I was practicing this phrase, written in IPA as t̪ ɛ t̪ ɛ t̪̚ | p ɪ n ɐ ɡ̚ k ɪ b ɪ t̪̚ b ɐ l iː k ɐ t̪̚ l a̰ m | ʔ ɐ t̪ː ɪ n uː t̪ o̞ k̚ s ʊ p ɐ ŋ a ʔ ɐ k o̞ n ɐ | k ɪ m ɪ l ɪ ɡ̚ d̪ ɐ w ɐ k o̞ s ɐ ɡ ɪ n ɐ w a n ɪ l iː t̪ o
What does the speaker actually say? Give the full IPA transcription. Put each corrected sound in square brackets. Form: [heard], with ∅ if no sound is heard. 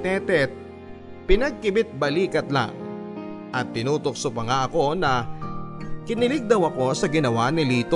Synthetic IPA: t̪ ɛ t̪ ɛ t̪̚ | p ɪ n ɐ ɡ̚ k ɪ b ɪ t̪̚ b ɐ l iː k ɐ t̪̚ l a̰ [ŋ] | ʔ ɐ t̪ː ɪ n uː t̪ o̞ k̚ s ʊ p ɐ ŋ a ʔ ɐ k o̞ n ɐ | k ɪ [n] ɪ l ɪ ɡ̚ d̪ ɐ w ɐ k o̞ s ɐ ɡ ɪ n ɐ w a n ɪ l iː t̪ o